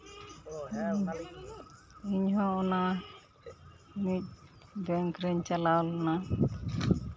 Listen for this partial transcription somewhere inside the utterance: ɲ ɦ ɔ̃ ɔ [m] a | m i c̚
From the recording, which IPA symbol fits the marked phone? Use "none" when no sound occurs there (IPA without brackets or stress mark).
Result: n